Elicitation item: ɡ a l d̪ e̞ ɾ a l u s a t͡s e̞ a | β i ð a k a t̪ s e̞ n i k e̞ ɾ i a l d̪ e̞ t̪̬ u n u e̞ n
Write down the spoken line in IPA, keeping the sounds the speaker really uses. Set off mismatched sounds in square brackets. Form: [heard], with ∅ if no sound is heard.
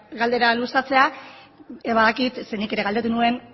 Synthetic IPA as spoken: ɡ a l d̪ e̞ ɾ a l u s a t͡s e̞ a | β [a] ð a k [i] t̪ s e̞ n i k e̞ ɾ [e] a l d̪ e̞ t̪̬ u n u e̞ n

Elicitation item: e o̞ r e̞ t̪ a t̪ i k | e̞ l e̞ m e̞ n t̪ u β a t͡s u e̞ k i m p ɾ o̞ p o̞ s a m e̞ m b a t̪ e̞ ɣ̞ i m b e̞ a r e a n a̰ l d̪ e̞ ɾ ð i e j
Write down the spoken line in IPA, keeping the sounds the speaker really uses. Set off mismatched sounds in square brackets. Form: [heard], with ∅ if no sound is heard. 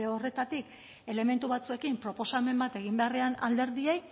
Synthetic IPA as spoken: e o̞ r e̞ t̪ a t̪ i k | e̞ l e̞ m e̞ n t̪ u β a t͡s u e̞ k i m p ɾ o̞ p o̞ s a m e̞ m b a t̪ e̞ ɣ̞ i m b e̞ a r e a n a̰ l d̪ e̞ ɾ ð i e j

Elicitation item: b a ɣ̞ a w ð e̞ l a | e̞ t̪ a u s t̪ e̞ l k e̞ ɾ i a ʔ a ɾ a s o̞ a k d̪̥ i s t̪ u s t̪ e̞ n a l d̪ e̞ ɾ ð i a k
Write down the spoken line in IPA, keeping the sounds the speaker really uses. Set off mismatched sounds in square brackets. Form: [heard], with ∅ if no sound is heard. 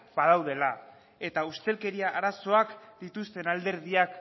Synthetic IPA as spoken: b a [ð̞] a w ð e̞ l a | e̞ t̪ a u s t̪ e̞ l k e̞ ɾ i a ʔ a ɾ a s o̞ a k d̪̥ i [∅] t̪ u s t̪ e̞ n a l d̪ e̞ ɾ ð i a k

